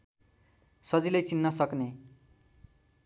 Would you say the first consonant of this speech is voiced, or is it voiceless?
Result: voiceless